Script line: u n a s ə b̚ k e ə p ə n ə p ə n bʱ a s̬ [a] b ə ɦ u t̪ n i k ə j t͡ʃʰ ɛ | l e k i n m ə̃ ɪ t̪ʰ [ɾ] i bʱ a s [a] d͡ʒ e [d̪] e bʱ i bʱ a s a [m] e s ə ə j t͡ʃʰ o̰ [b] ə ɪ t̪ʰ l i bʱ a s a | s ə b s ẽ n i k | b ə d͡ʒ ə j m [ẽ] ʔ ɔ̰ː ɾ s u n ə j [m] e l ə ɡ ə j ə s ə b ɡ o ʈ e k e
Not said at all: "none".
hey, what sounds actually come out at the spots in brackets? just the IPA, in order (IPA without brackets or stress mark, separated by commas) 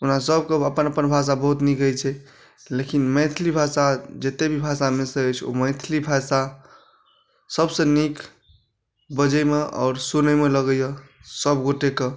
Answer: a, l, a, t̪, m, m, e, m